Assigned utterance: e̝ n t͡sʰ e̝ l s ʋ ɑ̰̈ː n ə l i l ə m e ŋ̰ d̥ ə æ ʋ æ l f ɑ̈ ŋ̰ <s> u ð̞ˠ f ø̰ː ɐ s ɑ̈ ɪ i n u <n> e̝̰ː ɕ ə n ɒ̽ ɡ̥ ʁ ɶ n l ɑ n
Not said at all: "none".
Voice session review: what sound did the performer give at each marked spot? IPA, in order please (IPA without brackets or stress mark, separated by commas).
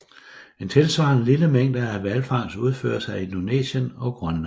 s, n